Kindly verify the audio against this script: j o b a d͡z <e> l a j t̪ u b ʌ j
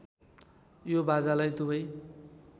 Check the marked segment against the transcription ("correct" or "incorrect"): incorrect